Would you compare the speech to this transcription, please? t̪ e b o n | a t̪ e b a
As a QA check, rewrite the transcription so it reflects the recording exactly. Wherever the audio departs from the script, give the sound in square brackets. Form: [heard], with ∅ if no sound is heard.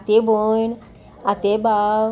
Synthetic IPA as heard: t̪ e b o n | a t̪ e b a